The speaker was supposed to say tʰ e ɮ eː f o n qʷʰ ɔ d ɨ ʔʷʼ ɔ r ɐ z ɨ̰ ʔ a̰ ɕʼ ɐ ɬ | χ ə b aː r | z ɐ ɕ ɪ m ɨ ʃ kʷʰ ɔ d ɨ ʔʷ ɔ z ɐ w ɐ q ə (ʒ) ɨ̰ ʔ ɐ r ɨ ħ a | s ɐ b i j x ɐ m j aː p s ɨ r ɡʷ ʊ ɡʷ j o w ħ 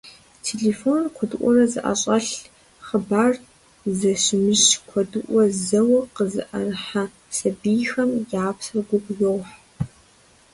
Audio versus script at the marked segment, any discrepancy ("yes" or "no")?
yes